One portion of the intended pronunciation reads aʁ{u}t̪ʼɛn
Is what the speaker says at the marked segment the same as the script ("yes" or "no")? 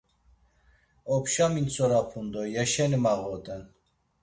no